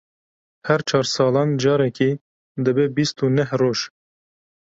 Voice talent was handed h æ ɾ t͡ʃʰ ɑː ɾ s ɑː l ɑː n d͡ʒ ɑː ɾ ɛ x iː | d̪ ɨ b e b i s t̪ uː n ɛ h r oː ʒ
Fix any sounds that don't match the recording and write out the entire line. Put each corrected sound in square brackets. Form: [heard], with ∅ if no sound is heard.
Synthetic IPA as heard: h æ ɾ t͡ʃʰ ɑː ɾ s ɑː l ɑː n d͡ʒ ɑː ɾ ɛ [k] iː | d̪ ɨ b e b i s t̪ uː n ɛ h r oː ʒ